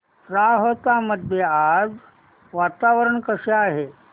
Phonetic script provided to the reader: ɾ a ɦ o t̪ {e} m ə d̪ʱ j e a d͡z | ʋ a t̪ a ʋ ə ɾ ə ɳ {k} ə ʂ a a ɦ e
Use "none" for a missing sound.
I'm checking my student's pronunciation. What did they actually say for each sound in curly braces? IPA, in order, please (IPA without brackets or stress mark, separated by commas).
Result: a, k